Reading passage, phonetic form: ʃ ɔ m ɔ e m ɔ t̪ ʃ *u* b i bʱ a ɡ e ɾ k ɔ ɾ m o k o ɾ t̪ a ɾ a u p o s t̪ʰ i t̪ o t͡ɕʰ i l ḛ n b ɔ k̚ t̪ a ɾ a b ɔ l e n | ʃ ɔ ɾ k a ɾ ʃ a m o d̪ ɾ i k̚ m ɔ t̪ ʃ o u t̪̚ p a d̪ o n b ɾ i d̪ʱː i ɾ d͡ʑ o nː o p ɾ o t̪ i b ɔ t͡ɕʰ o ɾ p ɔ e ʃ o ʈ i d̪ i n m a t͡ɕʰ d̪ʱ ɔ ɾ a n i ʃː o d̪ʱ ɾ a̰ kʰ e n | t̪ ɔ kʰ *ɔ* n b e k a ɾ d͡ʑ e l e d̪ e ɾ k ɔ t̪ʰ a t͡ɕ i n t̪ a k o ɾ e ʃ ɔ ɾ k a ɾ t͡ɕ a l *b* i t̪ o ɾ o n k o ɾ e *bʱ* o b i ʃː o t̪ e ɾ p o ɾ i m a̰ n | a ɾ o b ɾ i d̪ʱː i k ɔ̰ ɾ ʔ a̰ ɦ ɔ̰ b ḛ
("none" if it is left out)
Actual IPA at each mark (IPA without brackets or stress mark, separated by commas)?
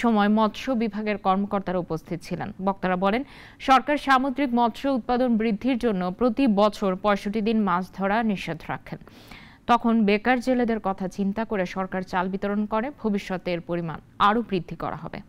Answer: o, o, b, bʱ